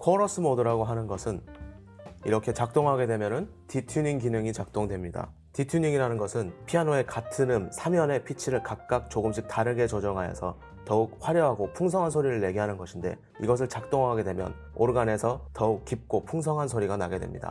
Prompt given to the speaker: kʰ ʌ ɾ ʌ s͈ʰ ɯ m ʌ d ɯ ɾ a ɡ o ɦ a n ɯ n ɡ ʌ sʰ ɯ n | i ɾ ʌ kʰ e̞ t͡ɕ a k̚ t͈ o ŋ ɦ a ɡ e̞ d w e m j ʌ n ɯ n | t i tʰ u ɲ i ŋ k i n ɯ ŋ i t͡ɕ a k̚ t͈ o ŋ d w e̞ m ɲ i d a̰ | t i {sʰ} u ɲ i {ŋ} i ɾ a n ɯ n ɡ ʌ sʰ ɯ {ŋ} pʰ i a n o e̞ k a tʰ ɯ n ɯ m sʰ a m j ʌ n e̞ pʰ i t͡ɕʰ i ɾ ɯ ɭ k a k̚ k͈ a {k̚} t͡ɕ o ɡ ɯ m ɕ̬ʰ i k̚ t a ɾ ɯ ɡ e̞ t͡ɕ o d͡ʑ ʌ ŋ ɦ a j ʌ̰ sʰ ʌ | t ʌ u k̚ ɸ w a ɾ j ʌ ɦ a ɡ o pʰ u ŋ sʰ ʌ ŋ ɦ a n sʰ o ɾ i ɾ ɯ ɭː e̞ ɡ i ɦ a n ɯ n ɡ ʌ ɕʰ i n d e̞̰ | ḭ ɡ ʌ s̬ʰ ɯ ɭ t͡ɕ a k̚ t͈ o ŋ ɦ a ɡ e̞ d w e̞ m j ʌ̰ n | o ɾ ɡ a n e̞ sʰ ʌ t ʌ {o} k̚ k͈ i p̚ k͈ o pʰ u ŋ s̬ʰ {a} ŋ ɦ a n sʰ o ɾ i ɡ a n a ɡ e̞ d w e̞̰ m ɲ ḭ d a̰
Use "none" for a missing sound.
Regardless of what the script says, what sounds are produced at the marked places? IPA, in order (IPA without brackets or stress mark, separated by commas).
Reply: tʰ, ŋ, n, k̚, u, ʌ